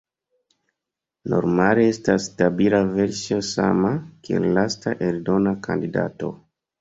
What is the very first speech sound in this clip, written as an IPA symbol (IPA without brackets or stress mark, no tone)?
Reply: n